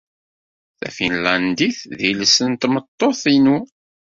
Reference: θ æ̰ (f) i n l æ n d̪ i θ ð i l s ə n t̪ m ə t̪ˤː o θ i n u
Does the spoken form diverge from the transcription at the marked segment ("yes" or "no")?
no